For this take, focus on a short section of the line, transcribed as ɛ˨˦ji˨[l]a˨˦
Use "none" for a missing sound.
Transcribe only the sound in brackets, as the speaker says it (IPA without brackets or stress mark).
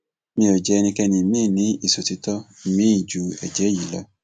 l